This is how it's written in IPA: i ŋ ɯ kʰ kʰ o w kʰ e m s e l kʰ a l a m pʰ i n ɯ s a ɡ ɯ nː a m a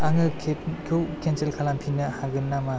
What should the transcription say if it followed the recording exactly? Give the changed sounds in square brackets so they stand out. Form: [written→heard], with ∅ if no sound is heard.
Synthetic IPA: [i→a] ŋ ɯ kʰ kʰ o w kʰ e [m→n] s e l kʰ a l a m pʰ i n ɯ [s→h] a ɡ ɯ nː a m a